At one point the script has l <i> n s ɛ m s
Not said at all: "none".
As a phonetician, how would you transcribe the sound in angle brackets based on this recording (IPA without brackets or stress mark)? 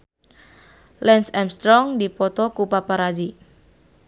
ɛ